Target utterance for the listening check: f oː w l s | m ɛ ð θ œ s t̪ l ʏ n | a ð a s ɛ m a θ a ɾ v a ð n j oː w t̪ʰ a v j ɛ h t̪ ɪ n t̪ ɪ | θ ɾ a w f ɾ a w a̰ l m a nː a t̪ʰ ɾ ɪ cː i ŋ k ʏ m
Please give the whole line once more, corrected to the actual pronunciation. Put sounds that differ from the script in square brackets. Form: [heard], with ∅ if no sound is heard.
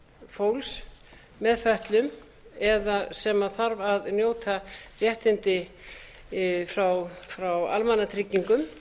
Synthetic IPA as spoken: f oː w l s | m ɛ ð [f] œ [h] t̪ l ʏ [m] | [ɛ] ð a s ɛ m a θ a ɾ v a ð n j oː w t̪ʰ a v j ɛ h t̪ ɪ n t̪ ɪ | [f] ɾ a w f ɾ a w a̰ l m a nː a t̪ʰ ɾ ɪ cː i ŋ k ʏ m